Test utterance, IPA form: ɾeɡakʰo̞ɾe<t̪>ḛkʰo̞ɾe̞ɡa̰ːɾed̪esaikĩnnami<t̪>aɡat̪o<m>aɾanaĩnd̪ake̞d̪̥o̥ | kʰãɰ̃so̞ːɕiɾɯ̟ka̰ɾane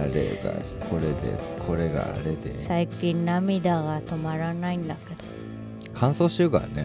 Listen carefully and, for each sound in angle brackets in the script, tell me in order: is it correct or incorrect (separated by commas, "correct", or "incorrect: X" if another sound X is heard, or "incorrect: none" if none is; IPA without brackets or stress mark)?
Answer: incorrect: d̪, incorrect: d̪, correct